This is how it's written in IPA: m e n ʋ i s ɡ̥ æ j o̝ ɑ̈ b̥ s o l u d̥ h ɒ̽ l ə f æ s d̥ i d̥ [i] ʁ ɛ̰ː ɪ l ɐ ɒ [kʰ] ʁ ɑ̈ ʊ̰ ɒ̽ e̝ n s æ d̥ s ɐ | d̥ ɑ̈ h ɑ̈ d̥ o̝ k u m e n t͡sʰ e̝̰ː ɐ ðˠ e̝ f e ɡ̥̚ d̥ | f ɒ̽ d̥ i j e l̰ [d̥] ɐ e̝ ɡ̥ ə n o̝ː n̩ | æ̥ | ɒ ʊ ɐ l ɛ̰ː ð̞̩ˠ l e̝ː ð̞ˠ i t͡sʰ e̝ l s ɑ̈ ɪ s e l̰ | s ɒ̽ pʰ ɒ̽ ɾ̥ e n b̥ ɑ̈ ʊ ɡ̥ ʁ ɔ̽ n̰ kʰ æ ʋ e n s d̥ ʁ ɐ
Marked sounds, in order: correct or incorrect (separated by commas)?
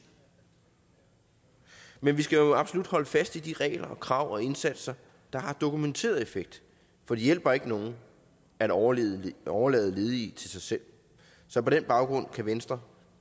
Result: correct, correct, incorrect